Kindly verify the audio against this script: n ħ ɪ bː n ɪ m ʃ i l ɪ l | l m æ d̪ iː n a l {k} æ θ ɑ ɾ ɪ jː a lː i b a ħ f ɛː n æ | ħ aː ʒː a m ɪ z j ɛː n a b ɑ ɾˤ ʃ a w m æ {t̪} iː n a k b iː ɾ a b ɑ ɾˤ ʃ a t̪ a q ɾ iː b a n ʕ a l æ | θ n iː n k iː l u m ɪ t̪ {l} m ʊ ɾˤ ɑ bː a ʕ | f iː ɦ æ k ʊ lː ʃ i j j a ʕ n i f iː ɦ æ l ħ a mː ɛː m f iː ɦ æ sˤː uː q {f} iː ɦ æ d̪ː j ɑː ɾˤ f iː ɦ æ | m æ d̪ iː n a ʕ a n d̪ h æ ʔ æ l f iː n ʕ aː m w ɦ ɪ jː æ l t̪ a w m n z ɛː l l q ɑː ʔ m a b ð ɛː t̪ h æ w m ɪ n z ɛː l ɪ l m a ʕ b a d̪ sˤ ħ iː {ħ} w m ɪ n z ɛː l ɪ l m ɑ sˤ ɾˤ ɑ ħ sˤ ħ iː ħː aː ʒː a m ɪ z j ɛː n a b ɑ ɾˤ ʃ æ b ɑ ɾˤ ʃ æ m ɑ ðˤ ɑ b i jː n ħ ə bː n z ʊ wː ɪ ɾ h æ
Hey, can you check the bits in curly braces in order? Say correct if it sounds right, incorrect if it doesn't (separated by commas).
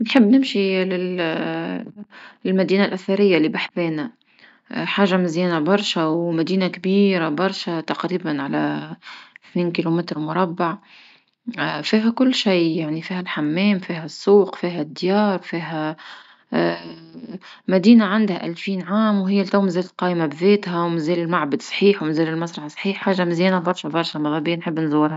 incorrect, incorrect, incorrect, correct, correct